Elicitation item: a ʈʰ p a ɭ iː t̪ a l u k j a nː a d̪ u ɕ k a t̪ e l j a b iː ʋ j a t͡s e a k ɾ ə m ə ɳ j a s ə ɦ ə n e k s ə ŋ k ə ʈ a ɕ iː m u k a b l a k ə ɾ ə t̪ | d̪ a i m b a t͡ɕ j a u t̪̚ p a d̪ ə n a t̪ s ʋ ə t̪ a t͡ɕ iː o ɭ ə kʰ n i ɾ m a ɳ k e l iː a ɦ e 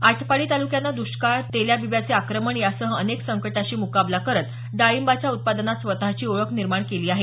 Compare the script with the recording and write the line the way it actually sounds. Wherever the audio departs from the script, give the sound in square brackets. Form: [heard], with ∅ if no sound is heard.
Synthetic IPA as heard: a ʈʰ p a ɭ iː t̪ a l u k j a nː a d̪ u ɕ k a t̪ e l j a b [i] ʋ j a t͡s e a k ɾ ə m ə ɳ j a s ə ɦ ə n e k s ə ŋ k ə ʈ a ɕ iː m u k a b l a k ə ɾ ə t̪ | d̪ a i m b a t͡ɕ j a u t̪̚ p a d̪ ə n a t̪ s ʋ ə t̪ a t͡ɕ iː o ɭ ə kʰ n i ɾ m a ɳ k e l iː a ɦ e